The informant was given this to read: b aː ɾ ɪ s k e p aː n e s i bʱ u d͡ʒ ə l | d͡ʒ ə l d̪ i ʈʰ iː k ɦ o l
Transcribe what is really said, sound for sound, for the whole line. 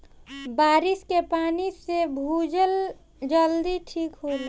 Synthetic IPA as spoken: b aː ɾ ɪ s k e p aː n i s e bʱ u d͡ʒ ə l | d͡ʒ ə l d̪ i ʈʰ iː k ɦ o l

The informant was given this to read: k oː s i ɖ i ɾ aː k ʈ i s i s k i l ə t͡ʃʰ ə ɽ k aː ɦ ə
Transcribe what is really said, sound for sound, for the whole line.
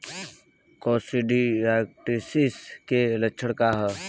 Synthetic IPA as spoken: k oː s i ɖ i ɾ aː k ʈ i s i s k e l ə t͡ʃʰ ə ɽ k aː ɦ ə

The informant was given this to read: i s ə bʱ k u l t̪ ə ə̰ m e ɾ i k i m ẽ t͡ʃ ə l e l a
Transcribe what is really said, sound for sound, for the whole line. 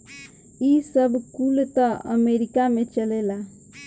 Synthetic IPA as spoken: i s ə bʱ k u l t̪ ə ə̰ m e ɾ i k a m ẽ t͡ʃ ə l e l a

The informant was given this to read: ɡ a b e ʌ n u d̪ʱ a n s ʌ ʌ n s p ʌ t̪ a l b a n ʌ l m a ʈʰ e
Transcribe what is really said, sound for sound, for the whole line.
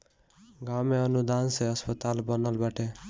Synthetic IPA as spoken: ɡ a m e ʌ n u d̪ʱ a n s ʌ ʌ s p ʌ t̪ a l b ʌ n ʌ l b a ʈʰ e

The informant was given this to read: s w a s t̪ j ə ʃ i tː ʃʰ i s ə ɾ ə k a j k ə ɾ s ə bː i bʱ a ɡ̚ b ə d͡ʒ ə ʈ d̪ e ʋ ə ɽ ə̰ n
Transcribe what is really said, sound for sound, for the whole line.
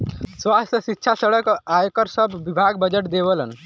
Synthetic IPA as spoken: s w a s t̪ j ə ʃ i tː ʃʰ a s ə ɽ ə k a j k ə ɾ s ə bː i bʱ a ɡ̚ b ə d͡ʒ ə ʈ d̪ e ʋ ə l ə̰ n

